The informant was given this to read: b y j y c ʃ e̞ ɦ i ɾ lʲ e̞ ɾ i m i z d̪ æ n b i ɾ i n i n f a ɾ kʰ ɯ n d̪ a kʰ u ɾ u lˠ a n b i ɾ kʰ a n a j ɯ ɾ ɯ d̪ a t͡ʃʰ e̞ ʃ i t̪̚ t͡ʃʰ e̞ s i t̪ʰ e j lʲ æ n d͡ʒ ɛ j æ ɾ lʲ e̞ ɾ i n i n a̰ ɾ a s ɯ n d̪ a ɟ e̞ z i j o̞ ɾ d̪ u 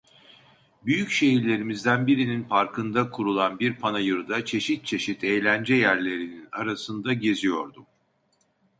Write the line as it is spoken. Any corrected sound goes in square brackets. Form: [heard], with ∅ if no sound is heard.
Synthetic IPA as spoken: b y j y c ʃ e̞ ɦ i ɾ lʲ e̞ ɾ i m i z d̪ æ n b i ɾ i n i n f a ɾ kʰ ɯ n d̪ a kʰ u ɾ u lˠ a n b i ɾ [pʰ] a n a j ɯ ɾ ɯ d̪ a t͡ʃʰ e̞ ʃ i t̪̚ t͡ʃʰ e̞ [ʃ] i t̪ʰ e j lʲ æ n d͡ʒ ɛ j æ ɾ lʲ e̞ ɾ i n i n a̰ ɾ a s ɯ n d̪ a ɟ e̞ z i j o̞ ɾ d̪ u